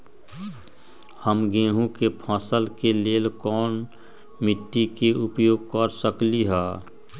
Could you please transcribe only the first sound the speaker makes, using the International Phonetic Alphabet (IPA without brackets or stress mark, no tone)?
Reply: h